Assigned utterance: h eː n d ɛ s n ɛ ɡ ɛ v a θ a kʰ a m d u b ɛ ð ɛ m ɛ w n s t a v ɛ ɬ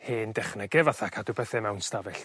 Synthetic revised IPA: h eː n d ɛ χ n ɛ ɡ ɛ v a θ a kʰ a d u b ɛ θ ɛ m ɛ w n s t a v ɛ ɬ